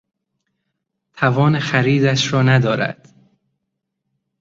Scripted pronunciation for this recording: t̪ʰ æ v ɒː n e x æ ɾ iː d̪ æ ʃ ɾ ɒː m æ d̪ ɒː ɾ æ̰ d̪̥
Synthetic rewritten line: t̪ʰ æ v ɒː n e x æ ɾ iː d̪ æ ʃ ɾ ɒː n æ d̪ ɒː ɾ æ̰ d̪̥